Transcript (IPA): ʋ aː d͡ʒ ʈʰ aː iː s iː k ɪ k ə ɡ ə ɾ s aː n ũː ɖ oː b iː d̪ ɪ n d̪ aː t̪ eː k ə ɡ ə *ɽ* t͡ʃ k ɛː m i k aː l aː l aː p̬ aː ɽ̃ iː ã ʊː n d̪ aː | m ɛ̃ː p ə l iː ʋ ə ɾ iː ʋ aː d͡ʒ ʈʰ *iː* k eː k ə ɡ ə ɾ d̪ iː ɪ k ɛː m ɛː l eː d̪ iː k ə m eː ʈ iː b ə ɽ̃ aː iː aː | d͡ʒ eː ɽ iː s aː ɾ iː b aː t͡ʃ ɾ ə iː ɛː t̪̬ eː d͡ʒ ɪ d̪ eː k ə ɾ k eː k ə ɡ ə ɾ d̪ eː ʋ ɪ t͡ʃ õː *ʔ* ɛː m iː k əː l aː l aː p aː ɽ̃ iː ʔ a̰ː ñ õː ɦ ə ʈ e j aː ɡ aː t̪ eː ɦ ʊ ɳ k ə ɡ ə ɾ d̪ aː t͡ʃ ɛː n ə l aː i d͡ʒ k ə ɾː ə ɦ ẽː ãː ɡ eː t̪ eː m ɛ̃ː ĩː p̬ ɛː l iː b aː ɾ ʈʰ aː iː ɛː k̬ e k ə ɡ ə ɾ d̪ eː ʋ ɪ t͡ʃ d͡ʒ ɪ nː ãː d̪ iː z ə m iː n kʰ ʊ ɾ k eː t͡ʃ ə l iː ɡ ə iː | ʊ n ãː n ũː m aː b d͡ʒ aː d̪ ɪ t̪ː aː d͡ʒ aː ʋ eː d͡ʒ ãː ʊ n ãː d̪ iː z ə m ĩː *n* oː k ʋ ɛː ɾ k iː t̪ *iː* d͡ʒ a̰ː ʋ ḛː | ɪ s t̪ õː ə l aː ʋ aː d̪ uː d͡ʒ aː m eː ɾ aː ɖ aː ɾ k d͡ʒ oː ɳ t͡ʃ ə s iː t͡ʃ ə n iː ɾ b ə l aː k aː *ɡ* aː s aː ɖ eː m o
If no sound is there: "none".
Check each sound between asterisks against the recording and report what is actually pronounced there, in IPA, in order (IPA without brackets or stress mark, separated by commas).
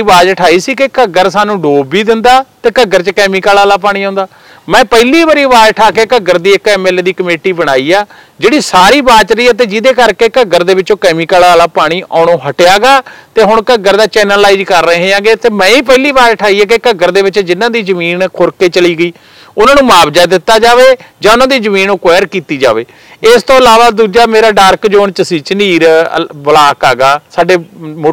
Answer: ɾ, aː, k, n, iː, ɡ